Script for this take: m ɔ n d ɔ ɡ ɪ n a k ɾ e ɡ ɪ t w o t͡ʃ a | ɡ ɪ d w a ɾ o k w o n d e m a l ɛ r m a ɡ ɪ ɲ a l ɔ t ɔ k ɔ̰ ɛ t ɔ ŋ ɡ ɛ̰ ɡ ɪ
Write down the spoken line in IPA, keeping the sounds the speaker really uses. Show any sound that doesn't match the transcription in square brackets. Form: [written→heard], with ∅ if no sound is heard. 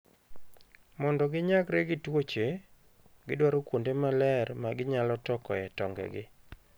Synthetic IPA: m ɔ n d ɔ ɡ ɪ [n→ɲ] a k ɾ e ɡ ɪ t w o t͡ʃ [a→e] | ɡ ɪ d w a ɾ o k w o n d e m a l ɛ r m a ɡ ɪ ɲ a l ɔ t ɔ k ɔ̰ ɛ t ɔ ŋ ɡ ɛ̰ ɡ ɪ